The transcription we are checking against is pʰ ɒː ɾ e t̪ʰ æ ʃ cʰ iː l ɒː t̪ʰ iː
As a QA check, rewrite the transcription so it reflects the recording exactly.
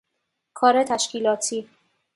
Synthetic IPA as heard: kʰ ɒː ɾ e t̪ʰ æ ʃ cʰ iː l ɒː t̪ʰ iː